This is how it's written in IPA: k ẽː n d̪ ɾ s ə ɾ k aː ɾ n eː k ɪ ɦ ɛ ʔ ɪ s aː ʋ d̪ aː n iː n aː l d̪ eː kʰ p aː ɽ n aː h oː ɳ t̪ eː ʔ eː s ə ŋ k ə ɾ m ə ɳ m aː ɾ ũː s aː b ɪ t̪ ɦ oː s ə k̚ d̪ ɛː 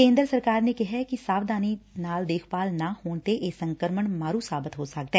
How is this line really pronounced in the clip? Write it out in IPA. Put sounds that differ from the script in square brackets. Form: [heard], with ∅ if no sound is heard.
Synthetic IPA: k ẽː n d̪ ɾ s ə ɾ k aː ɾ n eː k ɪ ɦ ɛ [k] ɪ s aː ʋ d̪ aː n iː n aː l d̪ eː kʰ p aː [l] n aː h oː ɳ t̪ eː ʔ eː s ə ŋ k ə ɾ m ə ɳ m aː ɾ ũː s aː b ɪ t̪ ɦ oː s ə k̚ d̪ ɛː